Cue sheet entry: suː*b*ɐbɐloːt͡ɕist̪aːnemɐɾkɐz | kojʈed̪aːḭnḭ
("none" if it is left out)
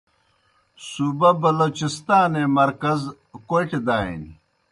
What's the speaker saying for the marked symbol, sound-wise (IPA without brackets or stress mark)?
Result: b